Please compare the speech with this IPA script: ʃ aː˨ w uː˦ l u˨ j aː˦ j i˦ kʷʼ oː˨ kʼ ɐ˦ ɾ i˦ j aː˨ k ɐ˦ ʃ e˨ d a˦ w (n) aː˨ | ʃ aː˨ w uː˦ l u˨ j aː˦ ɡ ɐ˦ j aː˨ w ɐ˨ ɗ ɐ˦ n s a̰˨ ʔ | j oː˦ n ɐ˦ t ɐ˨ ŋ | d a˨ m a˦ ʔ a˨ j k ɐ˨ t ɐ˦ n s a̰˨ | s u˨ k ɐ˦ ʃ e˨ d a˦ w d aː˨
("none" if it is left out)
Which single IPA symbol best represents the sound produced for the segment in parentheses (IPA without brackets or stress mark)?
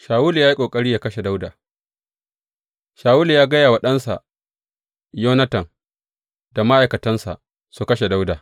d